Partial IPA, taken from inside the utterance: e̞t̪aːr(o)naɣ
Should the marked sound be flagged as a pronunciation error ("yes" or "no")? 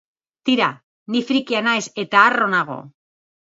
no